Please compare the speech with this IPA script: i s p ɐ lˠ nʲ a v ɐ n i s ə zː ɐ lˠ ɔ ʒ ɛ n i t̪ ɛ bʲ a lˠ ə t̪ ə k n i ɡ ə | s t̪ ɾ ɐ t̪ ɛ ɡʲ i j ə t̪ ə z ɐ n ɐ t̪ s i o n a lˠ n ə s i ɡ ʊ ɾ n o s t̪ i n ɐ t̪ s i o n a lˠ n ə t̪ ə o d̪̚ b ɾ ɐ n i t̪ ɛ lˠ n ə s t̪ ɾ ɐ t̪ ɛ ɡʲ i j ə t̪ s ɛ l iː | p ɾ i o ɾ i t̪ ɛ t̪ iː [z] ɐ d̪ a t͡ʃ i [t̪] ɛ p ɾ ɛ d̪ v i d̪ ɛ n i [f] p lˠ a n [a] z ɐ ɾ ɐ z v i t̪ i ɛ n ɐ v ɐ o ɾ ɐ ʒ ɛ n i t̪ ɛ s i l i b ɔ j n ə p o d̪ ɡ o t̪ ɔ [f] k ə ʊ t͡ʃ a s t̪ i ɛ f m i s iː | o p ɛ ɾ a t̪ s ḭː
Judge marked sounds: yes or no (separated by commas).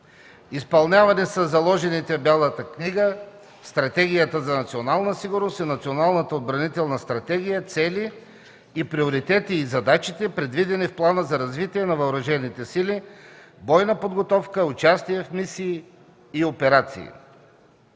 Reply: yes, yes, yes, no, yes